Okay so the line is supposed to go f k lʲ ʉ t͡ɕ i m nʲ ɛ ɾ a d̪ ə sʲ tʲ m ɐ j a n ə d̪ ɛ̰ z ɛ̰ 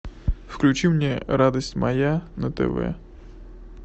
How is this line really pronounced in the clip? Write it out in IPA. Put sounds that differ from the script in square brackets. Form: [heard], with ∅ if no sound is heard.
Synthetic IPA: f k lʲ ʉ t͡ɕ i m nʲ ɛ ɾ a d̪ ə sʲ tʲ m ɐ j a n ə [t̪] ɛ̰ [v] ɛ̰